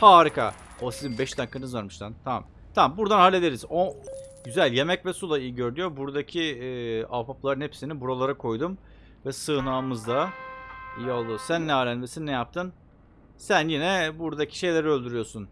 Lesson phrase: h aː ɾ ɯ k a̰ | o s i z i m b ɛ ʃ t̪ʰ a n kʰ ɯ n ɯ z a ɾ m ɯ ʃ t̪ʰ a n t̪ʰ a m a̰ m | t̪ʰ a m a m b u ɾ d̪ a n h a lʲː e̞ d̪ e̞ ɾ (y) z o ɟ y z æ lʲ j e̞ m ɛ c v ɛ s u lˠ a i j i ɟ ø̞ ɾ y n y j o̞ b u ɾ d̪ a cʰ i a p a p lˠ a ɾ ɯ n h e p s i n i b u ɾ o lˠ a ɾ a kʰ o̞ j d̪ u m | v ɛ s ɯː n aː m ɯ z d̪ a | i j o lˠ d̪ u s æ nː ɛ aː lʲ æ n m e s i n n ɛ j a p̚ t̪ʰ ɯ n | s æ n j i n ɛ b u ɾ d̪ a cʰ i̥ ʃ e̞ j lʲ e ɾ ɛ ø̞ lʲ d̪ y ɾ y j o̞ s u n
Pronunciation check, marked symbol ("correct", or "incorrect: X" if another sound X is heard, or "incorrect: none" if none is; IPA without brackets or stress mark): incorrect: i